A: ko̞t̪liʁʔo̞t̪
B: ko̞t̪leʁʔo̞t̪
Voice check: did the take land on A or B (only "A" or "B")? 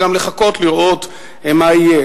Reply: A